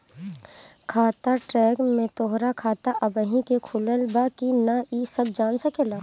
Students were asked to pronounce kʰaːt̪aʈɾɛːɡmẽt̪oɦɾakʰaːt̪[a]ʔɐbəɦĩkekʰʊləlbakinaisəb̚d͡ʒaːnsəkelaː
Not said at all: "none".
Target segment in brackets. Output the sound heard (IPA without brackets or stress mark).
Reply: a